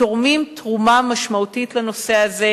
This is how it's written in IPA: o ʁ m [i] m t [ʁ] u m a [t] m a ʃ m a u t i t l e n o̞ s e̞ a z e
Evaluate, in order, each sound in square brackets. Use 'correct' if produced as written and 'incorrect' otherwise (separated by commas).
correct, correct, incorrect